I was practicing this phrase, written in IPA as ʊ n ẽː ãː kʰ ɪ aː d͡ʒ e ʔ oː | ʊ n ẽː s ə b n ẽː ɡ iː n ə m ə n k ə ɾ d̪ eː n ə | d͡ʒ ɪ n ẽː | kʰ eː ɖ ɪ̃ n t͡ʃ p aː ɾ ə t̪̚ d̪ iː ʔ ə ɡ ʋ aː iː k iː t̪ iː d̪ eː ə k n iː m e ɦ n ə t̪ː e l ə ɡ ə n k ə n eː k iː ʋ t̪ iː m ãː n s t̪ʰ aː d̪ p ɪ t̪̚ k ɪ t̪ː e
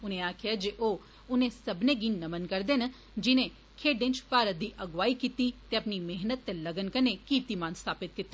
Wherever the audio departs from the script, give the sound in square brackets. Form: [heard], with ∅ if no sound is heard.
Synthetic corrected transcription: ʊ n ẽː [aː] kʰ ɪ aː d͡ʒ e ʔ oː | ʊ n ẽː s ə b n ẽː ɡ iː n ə m ə n k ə ɾ d̪ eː n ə | d͡ʒ ɪ n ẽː | kʰ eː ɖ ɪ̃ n t͡ʃ p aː ɾ ə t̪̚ d̪ iː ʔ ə ɡ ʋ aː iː k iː t̪ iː [t̪] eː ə [p] n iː m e ɦ n ə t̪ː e l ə ɡ ə n k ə n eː k iː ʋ t̪ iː m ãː n s t̪ʰ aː [∅] p ɪ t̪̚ k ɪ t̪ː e

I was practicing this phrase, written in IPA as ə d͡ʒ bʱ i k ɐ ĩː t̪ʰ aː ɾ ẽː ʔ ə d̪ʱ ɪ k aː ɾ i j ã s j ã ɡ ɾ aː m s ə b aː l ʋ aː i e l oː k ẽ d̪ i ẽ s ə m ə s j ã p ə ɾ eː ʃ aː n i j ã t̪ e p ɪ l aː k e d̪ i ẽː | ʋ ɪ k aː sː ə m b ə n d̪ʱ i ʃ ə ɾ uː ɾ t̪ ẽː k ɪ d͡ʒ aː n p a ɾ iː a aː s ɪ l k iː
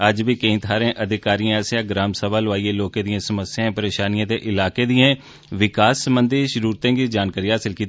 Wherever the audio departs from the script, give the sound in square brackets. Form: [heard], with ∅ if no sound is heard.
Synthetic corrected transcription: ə d͡ʒ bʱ i k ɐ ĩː t̪ʰ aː ɾ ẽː ʔ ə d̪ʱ ɪ k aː ɾ i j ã s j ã ɡ ɾ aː m s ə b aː l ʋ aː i e l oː k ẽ d̪ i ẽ s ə m ə s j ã p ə ɾ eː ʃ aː n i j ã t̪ e [ʔ] ɪ l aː k e d̪ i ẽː | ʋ ɪ k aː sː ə m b ə n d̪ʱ i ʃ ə ɾ uː ɾ t̪ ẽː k [i] d͡ʒ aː n [k] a ɾ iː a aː s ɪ l k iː

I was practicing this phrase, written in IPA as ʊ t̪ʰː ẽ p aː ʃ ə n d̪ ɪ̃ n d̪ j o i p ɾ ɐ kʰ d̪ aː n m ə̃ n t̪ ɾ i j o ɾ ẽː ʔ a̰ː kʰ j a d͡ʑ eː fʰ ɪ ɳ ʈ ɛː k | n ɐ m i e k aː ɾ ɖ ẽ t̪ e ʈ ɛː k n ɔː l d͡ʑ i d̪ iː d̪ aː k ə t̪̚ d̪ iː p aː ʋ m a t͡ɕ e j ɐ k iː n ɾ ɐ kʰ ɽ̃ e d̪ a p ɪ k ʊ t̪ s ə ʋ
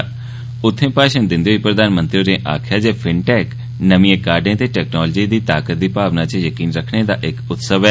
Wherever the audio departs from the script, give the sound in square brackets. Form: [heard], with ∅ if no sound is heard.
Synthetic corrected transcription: ʊ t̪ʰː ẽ p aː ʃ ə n d̪ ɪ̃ n d̪ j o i p ɾ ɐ [∅] d̪ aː n m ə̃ n t̪ ɾ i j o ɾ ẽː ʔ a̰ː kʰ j a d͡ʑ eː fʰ ɪ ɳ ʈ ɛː k | n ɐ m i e k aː ɾ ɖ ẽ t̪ e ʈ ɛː k n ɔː l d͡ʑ i d̪ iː [t̪] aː k ə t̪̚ d̪ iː p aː ʋ [n] a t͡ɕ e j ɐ k iː n ɾ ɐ kʰ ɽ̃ e d̪ a [ʔ] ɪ k ʊ t̪ s ə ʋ

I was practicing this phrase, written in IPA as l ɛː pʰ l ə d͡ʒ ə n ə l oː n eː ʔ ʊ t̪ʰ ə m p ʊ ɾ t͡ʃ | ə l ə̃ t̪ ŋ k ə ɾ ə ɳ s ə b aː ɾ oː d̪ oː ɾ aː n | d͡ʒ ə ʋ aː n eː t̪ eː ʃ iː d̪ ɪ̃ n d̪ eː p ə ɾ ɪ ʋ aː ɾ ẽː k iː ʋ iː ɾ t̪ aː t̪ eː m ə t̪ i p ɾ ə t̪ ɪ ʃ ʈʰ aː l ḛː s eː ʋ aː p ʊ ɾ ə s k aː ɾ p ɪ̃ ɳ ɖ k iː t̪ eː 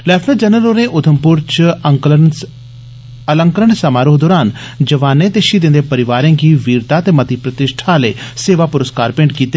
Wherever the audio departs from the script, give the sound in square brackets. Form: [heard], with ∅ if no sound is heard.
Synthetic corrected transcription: l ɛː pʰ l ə d͡ʒ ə n ə l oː n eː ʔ ʊ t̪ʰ ə m p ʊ ɾ t͡ʃ | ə l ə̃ [∅] ŋ k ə ɾ ə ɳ s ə [m] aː ɾ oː d̪ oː ɾ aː n | d͡ʒ ə ʋ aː n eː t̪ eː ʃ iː d̪ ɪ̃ n d̪ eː p ə ɾ ɪ ʋ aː ɾ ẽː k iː ʋ iː ɾ t̪ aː t̪ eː m ə t̪ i p ɾ ə t̪ ɪ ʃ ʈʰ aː l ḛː s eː ʋ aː p ʊ ɾ ə s k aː ɾ p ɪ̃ ɳ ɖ k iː t̪ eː

